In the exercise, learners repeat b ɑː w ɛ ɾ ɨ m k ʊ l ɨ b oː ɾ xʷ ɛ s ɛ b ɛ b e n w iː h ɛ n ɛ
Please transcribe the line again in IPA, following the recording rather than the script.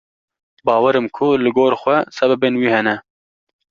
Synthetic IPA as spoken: b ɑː w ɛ ɾ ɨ m kʰ ʊ l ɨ ɡ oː ɾ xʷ ɛ s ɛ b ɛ b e n w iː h ɛ n ɛ